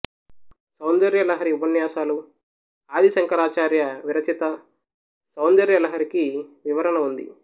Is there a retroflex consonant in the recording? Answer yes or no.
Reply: no